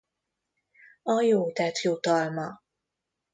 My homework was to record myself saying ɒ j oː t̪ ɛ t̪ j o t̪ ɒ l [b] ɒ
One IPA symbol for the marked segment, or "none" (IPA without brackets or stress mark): m